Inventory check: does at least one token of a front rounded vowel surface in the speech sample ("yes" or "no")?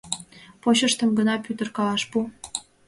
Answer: yes